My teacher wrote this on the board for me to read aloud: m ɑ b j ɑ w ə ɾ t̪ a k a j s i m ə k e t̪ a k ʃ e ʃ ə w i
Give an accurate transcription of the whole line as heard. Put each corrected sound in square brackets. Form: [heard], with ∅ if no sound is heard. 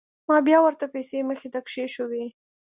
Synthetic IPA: m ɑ b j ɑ w ə ɾ t̪ a [p] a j s [e] m ə [x] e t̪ a k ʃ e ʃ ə w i